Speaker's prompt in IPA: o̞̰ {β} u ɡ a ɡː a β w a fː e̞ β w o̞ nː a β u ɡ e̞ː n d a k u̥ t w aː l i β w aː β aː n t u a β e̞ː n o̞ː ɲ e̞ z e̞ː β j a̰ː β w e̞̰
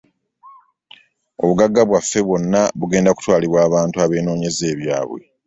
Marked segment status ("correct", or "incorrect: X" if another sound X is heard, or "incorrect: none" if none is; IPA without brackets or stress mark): correct